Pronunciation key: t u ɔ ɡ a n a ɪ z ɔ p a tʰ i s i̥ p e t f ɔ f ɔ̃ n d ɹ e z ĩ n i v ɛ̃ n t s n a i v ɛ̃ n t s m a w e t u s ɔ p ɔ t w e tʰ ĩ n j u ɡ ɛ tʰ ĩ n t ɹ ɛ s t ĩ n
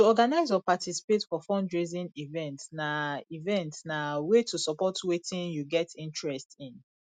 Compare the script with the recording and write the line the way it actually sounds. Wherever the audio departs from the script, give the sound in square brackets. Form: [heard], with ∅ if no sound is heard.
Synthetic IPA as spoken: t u ɔ ɡ a n a ɪ z ɔ p a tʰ i s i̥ p e t f ɔ f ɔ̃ n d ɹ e z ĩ n i v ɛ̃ n t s n a i v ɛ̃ n t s [n] a w e t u s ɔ p ɔ t w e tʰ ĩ n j u ɡ ɛ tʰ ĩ n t ɹ ɛ s t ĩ n